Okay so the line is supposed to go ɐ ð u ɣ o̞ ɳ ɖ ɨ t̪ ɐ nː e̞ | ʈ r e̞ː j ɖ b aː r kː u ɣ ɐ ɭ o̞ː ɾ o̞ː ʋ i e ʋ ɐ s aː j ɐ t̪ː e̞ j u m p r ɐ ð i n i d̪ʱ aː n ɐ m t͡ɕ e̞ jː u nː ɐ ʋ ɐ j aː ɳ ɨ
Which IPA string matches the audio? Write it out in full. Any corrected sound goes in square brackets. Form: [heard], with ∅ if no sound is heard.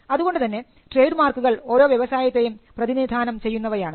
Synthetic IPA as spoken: ɐ ð u ɣ o̞ ɳ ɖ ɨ t̪ ɐ nː e̞ | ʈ r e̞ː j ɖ [m] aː r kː u ɣ ɐ ɭ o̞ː ɾ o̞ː ʋ [j] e ʋ ɐ s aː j ɐ t̪ː e̞ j u m p r ɐ ð i n i d̪ʱ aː n ɐ m t͡ɕ e̞ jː u nː ɐ ʋ ɐ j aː ɳ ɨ

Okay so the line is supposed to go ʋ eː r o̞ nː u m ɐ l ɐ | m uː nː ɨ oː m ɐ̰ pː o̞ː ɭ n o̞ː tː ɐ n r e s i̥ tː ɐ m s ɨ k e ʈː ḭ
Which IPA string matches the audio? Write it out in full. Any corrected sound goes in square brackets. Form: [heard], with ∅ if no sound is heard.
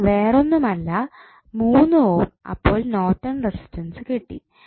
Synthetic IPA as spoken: ʋ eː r o̞ nː u m ɐ [lː] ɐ | m uː nː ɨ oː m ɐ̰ pː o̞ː ɭ n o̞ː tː ɐ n r e s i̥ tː ɐ [n] s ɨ k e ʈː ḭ

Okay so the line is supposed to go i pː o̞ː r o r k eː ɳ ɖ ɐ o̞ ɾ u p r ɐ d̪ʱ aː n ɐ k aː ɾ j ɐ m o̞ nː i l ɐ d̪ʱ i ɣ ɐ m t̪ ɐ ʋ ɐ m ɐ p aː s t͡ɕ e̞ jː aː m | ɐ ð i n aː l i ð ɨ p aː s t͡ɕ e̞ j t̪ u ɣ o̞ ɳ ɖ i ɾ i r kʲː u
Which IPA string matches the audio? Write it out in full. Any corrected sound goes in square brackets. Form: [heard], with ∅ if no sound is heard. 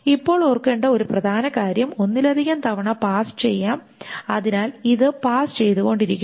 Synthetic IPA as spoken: i pː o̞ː [ɭ] o r k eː ɳ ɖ ɐ o̞ ɾ u p r ɐ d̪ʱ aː n ɐ k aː ɾ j ɐ m o̞ nː i l ɐ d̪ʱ i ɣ ɐ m t̪ ɐ ʋ ɐ [ɳ] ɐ p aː s t͡ɕ e̞ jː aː m | ɐ ð i n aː l i ð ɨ p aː s t͡ɕ e̞ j t̪ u ɣ o̞ ɳ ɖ i ɾ i [∅] kʲː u

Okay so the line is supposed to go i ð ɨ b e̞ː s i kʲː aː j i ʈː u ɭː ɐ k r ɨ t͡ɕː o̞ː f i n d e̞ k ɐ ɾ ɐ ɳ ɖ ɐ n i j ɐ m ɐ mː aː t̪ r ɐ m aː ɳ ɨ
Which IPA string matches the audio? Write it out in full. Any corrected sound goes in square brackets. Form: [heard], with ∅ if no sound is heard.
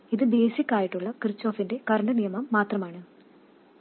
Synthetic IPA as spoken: i ð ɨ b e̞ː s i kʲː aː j i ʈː u ɭː ɐ k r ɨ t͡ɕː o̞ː f i n d e̞ k ɐ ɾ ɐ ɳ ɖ ɐ n i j ɐ m ɐ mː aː t̪ r ɐ m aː ɳ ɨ

